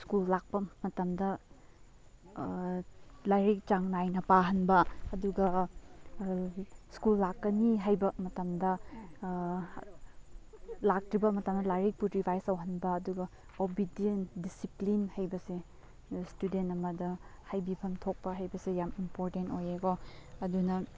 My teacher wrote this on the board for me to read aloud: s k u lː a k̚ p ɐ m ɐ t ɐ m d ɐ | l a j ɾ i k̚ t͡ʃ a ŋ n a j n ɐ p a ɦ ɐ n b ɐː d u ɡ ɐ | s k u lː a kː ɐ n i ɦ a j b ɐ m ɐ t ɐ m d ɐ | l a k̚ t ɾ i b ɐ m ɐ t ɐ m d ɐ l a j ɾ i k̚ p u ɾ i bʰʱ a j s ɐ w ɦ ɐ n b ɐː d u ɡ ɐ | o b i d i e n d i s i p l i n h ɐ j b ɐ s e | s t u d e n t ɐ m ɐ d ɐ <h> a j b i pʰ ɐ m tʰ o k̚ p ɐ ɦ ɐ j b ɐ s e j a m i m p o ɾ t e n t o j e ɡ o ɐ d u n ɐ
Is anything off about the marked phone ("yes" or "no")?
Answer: no